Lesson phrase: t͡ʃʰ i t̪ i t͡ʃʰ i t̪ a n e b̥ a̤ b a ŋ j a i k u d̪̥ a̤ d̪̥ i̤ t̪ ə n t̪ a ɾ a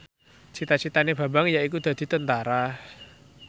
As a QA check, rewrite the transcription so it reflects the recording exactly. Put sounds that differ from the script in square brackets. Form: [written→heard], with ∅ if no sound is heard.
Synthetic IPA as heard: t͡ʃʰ i t̪ [i→a] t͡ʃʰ i t̪ a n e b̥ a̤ b a ŋ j a i k u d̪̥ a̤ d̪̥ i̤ t̪ ə n t̪ a ɾ a